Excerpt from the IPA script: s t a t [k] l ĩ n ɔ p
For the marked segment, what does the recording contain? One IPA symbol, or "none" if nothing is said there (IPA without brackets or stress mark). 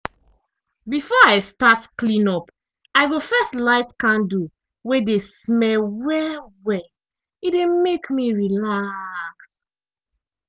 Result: k